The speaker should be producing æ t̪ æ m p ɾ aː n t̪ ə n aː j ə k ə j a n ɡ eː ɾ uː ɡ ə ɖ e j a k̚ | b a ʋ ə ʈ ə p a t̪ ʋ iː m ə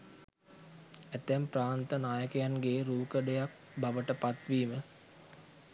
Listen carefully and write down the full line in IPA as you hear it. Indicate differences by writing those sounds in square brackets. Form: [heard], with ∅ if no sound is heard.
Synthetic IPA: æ t̪ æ m p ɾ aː n t̪ ə n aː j ə k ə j a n ɡ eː ɾ uː [k] ə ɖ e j a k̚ | b a ʋ ə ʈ ə p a t̪ ʋ iː m ə